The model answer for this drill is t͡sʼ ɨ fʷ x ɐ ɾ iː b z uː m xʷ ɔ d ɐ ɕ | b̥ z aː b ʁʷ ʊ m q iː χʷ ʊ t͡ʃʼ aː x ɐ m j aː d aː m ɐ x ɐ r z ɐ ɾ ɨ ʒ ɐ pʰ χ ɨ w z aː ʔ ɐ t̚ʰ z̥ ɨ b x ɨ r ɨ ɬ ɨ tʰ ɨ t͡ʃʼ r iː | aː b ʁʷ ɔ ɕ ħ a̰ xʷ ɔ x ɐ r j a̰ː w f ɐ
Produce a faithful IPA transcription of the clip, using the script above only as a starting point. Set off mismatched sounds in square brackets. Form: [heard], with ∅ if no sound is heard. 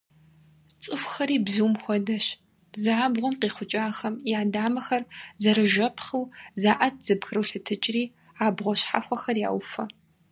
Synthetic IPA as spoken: t͡sʼ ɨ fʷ x ɐ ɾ iː b z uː m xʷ ɔ d ɐ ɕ | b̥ z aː b ʁʷ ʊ m q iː χʷ ʊ t͡ʃʼ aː x ɐ m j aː d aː m ɐ x ɐ r z ɐ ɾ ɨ ʒ ɐ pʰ χ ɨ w z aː ʔ ɐ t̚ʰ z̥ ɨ b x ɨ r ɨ ɬ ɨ tʰ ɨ t͡ʃʼ r iː | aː b ʁʷ ɔ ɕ ħ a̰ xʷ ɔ x ɐ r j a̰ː w f ɐ